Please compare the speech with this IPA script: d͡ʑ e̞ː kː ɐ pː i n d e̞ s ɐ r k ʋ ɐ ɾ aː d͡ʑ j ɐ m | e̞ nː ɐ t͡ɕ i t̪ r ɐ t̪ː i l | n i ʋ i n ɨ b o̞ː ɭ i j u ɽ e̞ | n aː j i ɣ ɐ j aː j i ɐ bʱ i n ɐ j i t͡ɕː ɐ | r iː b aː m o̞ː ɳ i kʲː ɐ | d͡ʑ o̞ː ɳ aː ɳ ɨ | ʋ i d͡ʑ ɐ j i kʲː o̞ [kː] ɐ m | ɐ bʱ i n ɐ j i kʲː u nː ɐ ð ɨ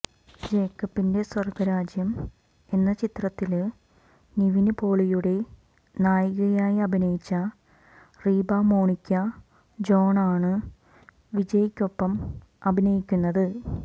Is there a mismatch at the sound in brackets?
yes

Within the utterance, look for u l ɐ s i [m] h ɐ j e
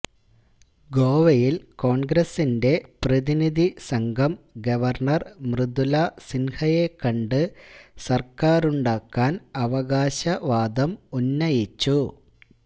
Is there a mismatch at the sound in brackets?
yes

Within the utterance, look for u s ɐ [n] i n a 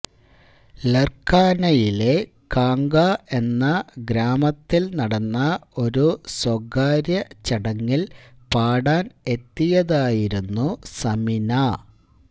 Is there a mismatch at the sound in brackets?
yes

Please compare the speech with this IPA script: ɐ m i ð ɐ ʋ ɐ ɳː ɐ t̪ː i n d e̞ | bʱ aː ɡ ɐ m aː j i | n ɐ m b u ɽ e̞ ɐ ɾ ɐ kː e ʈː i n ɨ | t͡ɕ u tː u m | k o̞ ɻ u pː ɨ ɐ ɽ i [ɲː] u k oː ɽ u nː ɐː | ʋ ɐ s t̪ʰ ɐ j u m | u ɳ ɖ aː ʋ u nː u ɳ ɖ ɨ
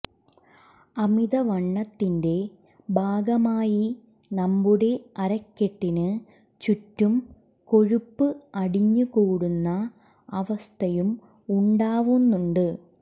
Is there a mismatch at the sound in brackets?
no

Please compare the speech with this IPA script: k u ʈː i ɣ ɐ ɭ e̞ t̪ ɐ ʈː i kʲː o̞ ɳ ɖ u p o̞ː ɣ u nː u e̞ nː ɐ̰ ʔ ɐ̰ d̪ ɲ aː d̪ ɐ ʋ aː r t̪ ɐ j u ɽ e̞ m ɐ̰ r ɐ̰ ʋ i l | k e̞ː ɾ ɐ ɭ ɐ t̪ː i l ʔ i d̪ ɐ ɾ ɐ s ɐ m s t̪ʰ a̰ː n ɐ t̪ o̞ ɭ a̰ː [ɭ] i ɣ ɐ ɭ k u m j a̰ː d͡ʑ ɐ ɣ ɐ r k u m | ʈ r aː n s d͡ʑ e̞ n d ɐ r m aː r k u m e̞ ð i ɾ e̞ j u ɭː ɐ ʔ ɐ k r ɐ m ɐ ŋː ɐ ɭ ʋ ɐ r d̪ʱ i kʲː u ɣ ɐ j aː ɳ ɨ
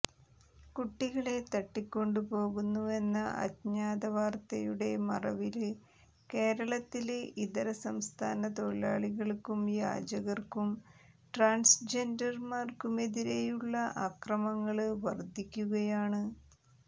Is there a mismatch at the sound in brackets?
no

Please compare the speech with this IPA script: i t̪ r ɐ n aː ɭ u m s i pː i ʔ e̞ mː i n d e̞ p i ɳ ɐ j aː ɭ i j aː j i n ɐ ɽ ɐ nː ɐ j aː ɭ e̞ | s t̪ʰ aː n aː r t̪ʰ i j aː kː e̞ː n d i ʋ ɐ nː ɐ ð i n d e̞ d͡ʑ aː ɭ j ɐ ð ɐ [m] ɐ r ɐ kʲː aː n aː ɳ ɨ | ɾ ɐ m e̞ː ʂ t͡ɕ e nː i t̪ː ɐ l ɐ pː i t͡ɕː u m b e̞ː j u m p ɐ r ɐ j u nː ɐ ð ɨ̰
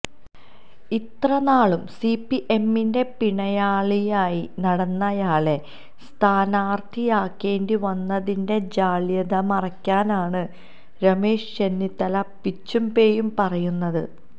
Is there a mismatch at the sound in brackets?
no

